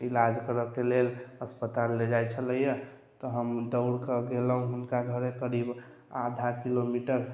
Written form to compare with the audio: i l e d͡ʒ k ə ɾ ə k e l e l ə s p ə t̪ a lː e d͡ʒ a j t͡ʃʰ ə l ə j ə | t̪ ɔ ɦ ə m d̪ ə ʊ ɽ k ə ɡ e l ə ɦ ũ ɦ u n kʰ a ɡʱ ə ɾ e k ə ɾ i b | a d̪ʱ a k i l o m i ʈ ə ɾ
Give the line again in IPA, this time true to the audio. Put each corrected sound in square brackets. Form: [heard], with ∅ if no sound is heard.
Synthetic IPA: i l [a] d͡ʒ k ə ɾ ə k e l e l ə s p ə t̪ a lː e d͡ʒ a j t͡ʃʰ ə l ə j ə | t̪ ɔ ɦ ə m d̪ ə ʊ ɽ k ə ɡ e l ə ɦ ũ ɦ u n [k] a ɡʱ ə ɾ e k ə ɾ i b | a d̪ʱ a k i l o m i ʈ ə ɾ